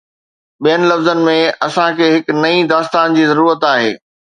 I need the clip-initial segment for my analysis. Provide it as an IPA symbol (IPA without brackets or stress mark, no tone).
ɓ